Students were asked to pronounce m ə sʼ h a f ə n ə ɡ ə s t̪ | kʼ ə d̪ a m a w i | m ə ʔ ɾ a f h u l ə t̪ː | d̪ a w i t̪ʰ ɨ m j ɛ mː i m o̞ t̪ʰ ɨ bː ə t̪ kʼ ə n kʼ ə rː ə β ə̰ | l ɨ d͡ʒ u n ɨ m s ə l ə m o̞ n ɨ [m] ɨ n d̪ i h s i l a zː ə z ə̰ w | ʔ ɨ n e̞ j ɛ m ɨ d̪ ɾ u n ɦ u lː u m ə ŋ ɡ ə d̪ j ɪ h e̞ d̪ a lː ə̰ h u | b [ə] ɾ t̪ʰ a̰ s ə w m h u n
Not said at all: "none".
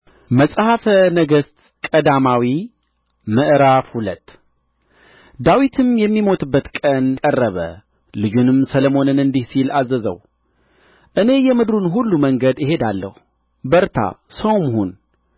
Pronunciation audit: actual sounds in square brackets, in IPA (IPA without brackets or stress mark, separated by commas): n, ə